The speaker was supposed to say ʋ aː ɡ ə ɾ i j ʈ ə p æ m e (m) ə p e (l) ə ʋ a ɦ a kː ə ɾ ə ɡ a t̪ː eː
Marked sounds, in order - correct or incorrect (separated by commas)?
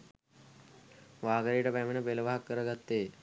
incorrect, correct